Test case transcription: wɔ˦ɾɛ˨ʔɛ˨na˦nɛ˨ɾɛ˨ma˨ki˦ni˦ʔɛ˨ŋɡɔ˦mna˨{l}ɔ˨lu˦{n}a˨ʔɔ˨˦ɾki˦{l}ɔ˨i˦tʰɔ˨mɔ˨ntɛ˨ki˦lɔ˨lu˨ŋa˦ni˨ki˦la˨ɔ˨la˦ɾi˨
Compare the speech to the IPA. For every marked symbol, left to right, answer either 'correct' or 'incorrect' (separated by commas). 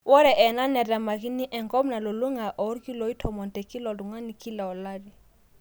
correct, incorrect, correct